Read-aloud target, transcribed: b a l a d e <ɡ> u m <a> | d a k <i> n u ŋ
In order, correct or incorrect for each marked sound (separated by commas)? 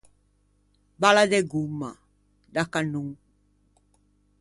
correct, correct, incorrect